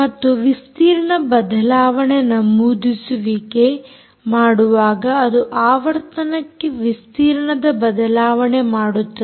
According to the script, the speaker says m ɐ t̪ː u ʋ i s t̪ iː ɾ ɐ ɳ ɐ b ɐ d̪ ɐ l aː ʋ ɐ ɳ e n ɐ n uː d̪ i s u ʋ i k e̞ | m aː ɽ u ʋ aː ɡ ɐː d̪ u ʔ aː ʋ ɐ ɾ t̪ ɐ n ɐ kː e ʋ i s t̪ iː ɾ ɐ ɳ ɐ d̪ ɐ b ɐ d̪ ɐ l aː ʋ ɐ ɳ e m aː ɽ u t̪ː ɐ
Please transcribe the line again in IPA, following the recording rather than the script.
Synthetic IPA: m ɐ t̪ː u ʋ i s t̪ iː ɾ ɐ ɳ ɐ b ɐ d̪ ɐ l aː ʋ ɐ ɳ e n ɐ m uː d̪ i s u ʋ i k e̞ | m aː ɽ u ʋ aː ɡ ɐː d̪ u ʔ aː ʋ ɐ ɾ t̪ ɐ n ɐ kː e ʋ i s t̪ iː ɾ ɐ ɳ ɐ d̪ ɐ b ɐ d̪ ɐ l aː ʋ ɐ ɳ e m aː ɽ u t̪ː ɐ